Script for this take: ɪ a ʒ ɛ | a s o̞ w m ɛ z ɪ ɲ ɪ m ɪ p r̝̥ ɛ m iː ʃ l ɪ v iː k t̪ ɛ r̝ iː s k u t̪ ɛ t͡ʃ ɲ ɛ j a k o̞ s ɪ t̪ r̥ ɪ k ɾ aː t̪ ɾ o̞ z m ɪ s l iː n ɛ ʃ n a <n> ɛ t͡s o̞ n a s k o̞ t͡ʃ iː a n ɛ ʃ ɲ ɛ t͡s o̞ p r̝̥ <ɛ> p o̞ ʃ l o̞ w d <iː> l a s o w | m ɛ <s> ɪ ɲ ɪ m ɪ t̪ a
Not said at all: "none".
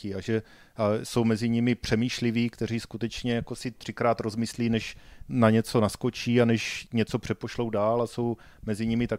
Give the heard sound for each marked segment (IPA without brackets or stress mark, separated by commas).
ɲ, ɛ, aː, z